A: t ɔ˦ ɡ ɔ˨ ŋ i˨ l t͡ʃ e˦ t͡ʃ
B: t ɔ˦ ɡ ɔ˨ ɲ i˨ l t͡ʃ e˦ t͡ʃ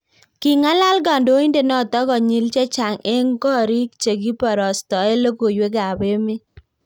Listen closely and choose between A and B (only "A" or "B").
B